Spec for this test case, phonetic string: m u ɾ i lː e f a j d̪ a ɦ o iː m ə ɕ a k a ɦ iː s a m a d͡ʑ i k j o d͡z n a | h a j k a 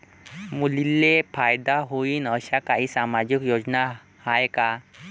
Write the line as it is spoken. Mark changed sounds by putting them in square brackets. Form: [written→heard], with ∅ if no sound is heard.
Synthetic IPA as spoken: m u [ɾ→l] i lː e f a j d̪ a ɦ o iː [m→n] ə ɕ a k a ɦ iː s a m a d͡ʑ i k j o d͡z n a | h a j k a